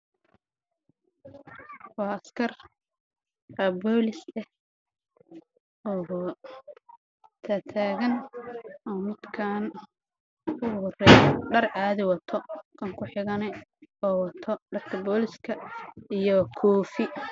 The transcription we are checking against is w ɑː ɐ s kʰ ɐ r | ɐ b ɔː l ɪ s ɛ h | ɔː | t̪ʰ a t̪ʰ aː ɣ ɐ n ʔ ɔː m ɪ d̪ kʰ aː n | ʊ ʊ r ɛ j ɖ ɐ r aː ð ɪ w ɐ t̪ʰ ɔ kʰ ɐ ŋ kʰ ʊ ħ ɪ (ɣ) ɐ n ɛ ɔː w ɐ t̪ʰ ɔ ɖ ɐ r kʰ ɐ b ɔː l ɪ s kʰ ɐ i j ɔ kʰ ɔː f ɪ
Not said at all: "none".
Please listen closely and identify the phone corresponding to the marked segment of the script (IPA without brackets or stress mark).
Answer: ɣ